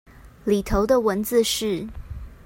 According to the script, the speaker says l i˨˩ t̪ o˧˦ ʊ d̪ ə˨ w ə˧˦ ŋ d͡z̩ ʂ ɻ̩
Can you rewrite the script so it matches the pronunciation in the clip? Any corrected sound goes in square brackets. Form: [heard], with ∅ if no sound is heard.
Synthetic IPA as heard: l i˨˩ [t̪ʰ] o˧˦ ʊ d̪ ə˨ w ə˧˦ [n] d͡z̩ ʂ ɻ̩